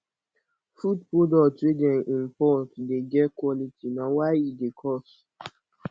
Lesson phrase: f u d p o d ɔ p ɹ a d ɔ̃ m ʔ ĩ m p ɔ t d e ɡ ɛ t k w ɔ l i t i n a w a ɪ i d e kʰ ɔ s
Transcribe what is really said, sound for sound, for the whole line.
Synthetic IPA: f u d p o d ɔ t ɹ e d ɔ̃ n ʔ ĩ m p ɔ t d e ɡ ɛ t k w ɔ l i t i n a w a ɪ i d e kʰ ɔ s